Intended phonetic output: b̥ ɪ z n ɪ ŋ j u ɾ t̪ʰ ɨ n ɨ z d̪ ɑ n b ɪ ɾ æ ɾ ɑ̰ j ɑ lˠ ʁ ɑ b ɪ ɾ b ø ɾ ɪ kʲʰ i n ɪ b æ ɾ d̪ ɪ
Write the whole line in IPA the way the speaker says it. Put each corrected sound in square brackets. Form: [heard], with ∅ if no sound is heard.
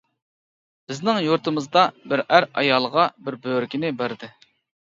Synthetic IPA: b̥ ɪ z n ɪ ŋ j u ɾ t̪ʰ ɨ [m] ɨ z d̪ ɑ [∅] b ɪ ɾ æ ɾ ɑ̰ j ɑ lˠ ʁ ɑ b ɪ ɾ b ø ɾ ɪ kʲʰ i n ɪ b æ ɾ d̪ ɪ